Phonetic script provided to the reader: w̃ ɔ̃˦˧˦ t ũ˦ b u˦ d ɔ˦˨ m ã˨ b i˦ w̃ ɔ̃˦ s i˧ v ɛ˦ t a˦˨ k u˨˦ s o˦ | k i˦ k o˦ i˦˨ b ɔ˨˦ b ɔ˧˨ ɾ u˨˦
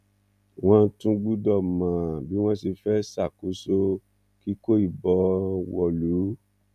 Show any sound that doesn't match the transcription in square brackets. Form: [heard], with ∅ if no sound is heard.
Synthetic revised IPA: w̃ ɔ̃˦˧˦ t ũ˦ [ɡ͡b] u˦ d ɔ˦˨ m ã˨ b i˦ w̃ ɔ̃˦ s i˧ [f] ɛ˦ [s] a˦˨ k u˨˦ s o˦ | k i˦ k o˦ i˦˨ b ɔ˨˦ [w] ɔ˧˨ [l] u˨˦